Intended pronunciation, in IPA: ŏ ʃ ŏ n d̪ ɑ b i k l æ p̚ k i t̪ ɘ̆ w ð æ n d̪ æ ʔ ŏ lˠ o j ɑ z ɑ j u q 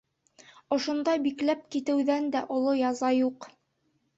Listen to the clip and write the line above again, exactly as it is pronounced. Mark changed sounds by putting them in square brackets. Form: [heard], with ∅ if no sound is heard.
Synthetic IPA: ŏ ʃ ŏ n d̪ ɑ b i k l æ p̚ k i t̪ ɘ̆ w ð æ n d̪ æ ʔ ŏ lˠ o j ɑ z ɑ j u q